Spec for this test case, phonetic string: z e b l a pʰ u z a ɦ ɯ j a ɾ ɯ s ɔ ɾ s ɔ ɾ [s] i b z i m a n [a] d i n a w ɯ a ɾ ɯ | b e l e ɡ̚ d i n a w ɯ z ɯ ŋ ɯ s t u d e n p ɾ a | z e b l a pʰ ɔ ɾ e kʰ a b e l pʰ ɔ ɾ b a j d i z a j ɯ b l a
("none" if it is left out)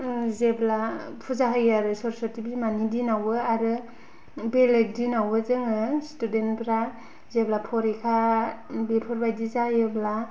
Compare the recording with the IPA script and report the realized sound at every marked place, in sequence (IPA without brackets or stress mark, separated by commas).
t, i